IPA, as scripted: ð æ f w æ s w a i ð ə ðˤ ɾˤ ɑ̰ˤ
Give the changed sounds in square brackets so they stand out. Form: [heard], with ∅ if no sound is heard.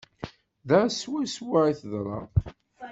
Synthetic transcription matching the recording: ð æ [s] w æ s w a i [θ] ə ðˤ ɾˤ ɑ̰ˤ